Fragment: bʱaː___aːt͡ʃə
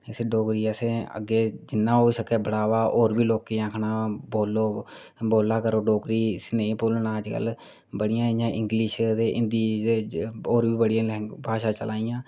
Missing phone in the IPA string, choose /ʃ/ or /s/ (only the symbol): ʃ